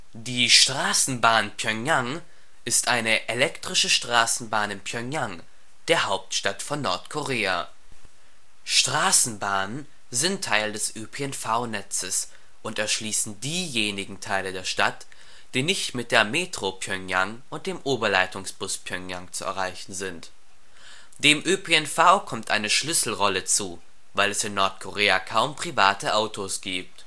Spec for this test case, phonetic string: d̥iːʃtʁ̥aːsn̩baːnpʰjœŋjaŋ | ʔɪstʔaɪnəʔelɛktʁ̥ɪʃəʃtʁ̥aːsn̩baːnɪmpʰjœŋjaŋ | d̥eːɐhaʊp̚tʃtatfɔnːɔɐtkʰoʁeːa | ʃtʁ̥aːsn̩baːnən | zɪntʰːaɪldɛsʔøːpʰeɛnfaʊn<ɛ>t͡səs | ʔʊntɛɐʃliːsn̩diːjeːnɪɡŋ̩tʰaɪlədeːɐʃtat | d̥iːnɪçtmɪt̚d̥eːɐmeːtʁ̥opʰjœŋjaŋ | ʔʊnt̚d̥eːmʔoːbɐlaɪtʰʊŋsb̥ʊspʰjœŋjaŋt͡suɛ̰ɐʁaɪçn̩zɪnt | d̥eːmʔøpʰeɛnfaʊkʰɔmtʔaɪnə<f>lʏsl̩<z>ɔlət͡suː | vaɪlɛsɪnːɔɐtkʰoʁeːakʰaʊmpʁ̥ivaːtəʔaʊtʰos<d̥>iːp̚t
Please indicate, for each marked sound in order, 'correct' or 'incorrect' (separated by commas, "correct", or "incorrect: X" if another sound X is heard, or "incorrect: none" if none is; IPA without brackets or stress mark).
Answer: correct, incorrect: ʃ, incorrect: ʁ, incorrect: ɡ̥